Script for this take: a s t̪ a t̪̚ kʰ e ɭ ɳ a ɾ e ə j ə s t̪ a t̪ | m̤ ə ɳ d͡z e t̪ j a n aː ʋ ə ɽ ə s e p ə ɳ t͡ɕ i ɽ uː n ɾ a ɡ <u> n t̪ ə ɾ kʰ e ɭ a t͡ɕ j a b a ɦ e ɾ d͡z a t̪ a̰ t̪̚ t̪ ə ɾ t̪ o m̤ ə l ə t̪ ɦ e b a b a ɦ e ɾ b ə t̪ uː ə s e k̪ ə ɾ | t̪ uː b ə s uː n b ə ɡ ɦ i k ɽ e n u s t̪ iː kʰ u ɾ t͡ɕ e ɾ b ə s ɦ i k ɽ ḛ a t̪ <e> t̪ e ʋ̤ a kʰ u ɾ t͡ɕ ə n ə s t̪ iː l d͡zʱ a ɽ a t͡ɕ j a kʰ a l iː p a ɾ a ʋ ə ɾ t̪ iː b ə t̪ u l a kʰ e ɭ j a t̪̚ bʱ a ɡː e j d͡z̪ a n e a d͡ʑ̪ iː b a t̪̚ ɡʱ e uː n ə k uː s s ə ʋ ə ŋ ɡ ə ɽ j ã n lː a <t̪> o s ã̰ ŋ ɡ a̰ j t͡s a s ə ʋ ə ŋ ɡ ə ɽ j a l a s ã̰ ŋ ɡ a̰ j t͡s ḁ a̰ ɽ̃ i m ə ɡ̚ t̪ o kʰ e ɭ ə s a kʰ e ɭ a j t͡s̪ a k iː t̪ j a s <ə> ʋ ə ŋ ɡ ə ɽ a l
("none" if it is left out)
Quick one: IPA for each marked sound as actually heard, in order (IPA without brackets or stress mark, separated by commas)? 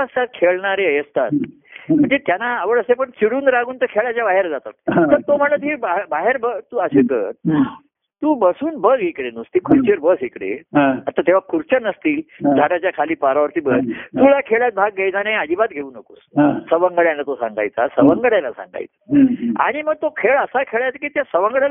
uː, a, t̪, ə